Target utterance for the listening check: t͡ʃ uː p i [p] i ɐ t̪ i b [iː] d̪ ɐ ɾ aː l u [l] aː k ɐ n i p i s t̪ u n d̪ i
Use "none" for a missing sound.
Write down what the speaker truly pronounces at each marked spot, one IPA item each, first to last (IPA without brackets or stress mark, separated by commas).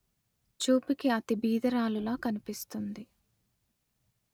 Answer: k, iː, l